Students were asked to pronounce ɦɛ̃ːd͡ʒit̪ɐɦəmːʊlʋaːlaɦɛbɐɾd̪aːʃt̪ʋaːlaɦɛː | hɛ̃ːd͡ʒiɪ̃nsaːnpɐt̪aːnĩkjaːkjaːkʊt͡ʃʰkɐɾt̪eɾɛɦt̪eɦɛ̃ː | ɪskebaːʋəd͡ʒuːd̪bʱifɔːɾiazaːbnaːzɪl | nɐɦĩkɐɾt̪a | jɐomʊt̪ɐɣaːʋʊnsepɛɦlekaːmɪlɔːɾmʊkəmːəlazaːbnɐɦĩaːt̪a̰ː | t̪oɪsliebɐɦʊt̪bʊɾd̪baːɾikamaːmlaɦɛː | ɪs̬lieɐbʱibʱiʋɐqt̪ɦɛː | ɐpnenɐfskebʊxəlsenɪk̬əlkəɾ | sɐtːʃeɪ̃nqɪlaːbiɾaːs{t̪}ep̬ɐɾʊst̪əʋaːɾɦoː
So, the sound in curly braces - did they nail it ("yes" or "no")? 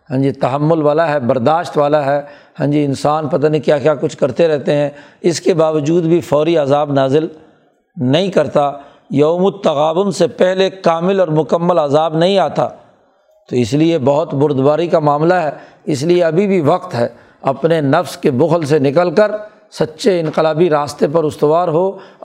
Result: yes